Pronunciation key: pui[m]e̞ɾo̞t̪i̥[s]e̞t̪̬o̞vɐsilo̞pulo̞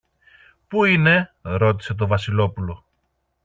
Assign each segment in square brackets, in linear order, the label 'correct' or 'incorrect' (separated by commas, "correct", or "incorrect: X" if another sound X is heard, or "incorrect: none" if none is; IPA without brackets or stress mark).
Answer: incorrect: n, correct